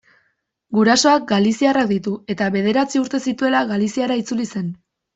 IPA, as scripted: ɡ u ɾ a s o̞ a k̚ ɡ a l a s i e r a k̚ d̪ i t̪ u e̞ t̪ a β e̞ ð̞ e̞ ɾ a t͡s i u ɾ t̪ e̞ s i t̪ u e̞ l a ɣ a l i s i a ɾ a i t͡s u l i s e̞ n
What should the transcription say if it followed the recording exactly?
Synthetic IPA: ɡ u ɾ a s o̞ a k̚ ɡ a l i s i a r a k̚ d̪ i t̪ u e̞ t̪ a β e̞ ð̞ e̞ ɾ a t͡s i u ɾ t̪ e̞ s i t̪ u e̞ l a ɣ a l i s i a ɾ a i t͡s u l i s e̞ n